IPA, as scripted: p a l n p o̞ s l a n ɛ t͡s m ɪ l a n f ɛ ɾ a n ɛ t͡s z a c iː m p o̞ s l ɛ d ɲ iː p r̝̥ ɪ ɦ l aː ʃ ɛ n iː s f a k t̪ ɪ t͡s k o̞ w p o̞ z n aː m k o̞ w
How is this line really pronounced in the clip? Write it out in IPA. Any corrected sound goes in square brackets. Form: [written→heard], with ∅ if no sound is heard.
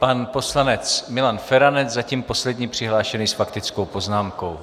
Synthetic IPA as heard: p a [l→∅] n p o̞ s l a n ɛ t͡s m ɪ l a n f ɛ ɾ a n ɛ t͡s z a c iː m p o̞ s l ɛ d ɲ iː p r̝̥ ɪ ɦ l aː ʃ ɛ n iː s f a k t̪ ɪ t͡s k o̞ w p o̞ z n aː m k o̞ w